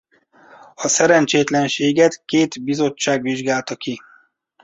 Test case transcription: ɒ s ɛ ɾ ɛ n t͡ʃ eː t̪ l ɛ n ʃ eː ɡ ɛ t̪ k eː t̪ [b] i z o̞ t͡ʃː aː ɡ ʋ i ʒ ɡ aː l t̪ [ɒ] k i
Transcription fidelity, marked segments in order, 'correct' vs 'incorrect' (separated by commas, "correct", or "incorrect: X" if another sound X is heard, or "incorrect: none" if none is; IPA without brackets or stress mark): correct, correct